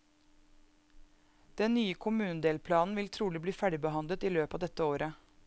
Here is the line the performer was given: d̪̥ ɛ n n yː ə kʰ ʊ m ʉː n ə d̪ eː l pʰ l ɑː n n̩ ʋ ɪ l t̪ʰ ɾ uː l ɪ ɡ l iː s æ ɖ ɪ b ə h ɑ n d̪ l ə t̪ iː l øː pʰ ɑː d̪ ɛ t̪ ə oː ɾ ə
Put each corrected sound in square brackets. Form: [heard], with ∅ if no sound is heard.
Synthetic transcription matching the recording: d̪̥ ɛ n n yː ə kʰ ʊ m ʉː n ə d̪ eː l pʰ l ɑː n n̩ ʋ ɪ l t̪ʰ ɾ uː l ɪ [b] l iː [f] æ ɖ ɪ b ə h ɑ n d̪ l ə t̪ iː l øː [p] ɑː d̪ ɛ t̪ ə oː ɾ ə